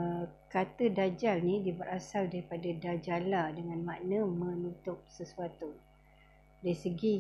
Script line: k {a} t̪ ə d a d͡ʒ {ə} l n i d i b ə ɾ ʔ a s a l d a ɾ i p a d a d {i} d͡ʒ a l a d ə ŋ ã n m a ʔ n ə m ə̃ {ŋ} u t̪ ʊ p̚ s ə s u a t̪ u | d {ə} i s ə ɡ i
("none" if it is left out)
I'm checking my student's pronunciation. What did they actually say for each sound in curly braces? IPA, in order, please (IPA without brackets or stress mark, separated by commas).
a, a, a, n, a